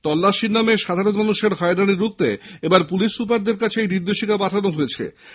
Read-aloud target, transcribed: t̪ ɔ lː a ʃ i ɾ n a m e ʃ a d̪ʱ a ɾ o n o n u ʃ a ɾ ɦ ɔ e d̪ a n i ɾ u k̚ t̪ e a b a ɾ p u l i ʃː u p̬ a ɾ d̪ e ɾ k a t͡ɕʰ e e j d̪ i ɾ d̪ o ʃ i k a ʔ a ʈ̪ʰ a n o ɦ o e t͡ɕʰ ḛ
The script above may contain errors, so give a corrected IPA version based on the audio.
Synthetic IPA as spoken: t̪ ɔ lː a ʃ i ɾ n a m e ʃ a d̪ʱ a ɾ o n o n u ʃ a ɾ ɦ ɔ e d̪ a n i ɾ u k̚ t̪ e e b a ɾ p u l i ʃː u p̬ a ɾ d̪ e ɾ k a t͡ɕʰ e e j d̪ i ɾ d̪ o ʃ i k a p a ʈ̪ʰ a n o ɦ o e t͡ɕʰ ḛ